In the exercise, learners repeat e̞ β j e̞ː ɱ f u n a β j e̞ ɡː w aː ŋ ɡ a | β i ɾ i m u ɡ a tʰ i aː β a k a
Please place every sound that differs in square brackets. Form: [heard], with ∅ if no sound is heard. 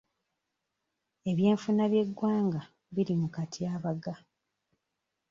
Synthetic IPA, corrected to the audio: e̞ β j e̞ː ɱ f u n a β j e̞ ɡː w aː ŋ ɡ a | β i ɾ i m u [k] a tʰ i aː β a [ɡ] a